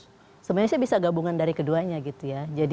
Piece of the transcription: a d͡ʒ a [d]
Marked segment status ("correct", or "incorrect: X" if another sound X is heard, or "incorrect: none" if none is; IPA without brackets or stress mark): correct